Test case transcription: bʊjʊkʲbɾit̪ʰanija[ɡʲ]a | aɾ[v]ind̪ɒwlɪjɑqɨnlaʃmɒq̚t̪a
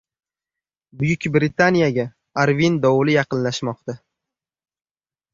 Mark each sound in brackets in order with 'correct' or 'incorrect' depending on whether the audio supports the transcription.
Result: correct, correct

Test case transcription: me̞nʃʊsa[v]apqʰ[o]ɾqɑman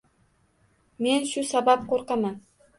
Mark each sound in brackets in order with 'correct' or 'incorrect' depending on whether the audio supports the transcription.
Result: incorrect, correct

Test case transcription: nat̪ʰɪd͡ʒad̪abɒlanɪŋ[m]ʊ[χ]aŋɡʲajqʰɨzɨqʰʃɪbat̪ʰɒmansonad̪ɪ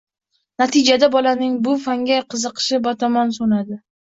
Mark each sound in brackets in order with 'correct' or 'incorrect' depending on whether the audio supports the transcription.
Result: incorrect, incorrect

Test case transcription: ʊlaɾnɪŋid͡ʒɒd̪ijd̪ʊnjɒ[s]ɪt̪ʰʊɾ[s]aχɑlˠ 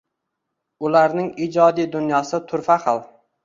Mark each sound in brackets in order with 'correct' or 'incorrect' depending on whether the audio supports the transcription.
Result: correct, incorrect

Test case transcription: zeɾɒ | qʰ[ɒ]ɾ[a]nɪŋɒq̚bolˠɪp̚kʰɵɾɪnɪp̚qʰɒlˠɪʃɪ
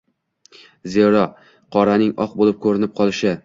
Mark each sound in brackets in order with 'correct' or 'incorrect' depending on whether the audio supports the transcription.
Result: correct, correct

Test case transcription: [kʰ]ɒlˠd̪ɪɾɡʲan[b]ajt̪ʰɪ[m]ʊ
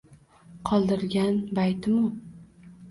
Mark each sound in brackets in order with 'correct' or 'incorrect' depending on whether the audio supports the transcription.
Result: incorrect, correct, correct

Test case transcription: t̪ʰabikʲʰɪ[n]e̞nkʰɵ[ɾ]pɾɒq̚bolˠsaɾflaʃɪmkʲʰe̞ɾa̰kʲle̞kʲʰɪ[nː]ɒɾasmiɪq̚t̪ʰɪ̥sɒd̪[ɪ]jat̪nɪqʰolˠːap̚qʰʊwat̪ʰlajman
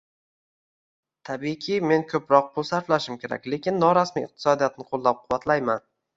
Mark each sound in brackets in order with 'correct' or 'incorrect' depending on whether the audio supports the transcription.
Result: incorrect, incorrect, correct, incorrect

